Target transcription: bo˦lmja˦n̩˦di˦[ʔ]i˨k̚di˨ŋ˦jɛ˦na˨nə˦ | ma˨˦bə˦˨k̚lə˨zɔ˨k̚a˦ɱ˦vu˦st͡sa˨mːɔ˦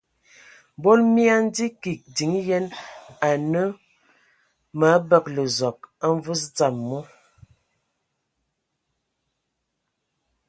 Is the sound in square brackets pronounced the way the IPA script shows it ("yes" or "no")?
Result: no